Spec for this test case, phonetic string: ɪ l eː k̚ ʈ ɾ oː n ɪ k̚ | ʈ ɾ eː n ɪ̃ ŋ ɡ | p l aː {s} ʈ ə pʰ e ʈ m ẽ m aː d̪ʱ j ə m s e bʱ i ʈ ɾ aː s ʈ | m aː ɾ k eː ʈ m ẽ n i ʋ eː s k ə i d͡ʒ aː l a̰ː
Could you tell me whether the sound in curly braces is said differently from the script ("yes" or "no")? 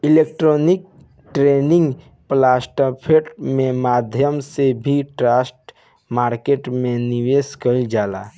no